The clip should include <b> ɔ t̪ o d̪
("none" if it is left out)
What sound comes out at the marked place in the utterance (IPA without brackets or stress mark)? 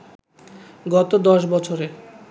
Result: ɡ